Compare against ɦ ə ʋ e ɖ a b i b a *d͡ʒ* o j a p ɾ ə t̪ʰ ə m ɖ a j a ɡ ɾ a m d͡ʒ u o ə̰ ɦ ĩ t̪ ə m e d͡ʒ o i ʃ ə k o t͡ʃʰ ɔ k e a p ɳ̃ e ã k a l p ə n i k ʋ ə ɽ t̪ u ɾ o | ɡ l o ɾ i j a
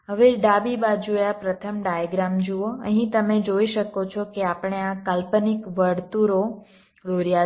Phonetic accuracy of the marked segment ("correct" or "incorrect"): correct